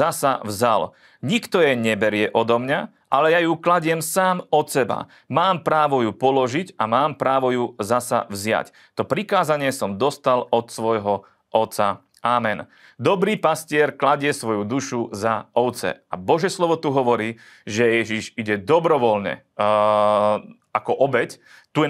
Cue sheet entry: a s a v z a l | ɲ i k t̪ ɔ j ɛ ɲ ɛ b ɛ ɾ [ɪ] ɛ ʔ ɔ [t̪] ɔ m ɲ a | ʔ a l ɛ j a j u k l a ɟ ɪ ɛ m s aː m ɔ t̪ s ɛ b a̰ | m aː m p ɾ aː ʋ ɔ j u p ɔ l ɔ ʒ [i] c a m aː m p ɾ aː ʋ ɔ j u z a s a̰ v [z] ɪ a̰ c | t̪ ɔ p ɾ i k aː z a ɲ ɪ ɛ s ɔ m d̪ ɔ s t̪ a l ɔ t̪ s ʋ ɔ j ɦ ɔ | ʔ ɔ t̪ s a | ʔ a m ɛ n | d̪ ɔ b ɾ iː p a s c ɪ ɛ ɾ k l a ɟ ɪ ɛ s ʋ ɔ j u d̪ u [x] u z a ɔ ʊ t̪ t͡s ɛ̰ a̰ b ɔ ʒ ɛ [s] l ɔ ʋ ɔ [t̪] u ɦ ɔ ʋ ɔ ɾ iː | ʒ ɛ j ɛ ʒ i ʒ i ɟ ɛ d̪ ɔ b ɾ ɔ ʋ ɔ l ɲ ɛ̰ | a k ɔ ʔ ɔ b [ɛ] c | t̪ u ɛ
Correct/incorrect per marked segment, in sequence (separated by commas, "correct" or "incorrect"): correct, incorrect, correct, correct, incorrect, correct, correct, correct